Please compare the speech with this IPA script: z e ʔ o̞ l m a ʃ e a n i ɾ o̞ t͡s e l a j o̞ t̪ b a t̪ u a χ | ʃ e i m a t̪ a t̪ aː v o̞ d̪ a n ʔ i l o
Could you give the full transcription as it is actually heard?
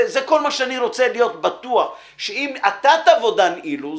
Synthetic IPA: z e k o̞ l m a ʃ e a n i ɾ o̞ t͡s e l i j o̞ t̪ b a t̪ u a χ | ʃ e i m a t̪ a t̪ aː v o̞ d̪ a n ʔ i l u